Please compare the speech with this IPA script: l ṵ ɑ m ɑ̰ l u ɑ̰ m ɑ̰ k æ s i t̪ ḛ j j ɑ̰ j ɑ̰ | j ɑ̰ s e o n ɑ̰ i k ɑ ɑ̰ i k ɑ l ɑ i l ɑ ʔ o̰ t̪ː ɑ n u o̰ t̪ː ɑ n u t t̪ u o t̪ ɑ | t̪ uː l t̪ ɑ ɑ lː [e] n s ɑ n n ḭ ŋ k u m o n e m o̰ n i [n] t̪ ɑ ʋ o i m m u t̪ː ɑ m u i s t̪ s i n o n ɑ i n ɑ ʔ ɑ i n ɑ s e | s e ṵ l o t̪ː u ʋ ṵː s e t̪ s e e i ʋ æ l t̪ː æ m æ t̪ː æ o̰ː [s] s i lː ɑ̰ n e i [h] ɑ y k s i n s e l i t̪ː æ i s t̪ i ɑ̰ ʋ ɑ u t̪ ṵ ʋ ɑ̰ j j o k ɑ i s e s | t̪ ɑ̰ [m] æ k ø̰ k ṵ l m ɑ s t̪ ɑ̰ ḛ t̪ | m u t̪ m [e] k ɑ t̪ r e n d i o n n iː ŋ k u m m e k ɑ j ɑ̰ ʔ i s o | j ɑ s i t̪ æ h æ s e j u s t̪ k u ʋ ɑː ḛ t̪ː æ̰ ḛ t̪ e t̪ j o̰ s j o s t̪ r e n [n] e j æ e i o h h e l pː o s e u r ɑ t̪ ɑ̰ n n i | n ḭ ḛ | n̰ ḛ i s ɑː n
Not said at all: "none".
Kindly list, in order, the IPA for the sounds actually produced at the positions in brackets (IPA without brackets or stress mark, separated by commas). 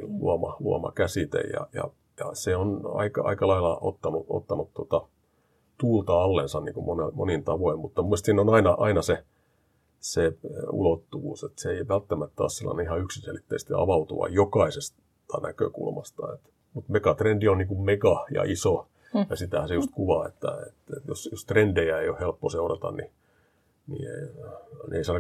e, n, s, h, n, e, d